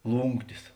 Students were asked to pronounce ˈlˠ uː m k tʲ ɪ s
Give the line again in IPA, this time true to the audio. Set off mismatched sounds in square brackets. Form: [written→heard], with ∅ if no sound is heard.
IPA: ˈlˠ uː [m→ŋ] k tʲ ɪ s